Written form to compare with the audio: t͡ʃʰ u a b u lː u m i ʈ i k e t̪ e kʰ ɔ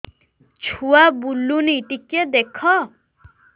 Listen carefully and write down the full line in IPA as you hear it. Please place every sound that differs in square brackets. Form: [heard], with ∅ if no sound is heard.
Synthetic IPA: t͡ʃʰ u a b u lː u [n] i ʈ i k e [d̪] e kʰ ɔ

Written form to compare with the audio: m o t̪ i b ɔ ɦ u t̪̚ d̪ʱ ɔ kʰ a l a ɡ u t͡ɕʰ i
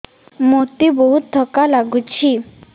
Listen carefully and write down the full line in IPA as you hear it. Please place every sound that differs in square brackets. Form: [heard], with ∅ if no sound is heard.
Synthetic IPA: m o t̪ i b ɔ ɦ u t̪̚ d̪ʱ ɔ [k] a l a ɡ u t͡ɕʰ i

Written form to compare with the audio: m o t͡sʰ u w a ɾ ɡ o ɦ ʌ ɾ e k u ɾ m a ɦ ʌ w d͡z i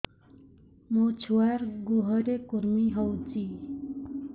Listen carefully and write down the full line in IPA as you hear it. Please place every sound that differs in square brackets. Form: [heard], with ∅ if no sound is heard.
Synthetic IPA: m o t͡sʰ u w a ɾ ɡ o ɦ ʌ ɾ e k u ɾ m [i] ɦ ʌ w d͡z i

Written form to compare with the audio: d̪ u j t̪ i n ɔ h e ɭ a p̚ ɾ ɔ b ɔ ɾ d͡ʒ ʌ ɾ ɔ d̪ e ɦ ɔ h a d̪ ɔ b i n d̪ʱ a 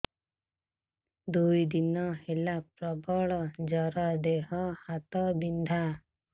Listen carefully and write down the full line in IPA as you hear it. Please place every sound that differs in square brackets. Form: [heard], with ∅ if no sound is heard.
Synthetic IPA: d̪ u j [d̪] i n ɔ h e [l] a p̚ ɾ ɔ b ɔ [ɭ] d͡ʒ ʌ ɾ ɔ d̪ e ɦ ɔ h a [t̪] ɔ b i n d̪ʱ a

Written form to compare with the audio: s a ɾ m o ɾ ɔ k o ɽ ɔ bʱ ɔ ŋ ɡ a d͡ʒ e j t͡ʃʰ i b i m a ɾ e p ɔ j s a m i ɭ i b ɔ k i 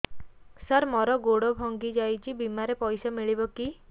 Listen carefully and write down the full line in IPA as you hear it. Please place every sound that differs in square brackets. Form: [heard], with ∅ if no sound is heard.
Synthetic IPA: s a ɾ m [ɔ] ɾ ɔ [ɡ] o ɽ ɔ bʱ ɔ ŋ ɡ [i] d͡ʒ [a] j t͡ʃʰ i b i m a ɾ e p ɔ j s a m i ɭ i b ɔ k i

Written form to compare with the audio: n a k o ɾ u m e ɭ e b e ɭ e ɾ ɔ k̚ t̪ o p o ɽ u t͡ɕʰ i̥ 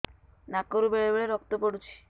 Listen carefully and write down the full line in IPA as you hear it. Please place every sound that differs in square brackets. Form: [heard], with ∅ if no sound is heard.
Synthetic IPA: n a k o ɾ u [b] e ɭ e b e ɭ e ɾ ɔ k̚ t̪ o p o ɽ u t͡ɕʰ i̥

